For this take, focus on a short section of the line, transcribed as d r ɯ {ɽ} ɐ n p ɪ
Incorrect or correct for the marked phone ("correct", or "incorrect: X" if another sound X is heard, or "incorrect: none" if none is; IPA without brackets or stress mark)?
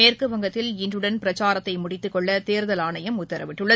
correct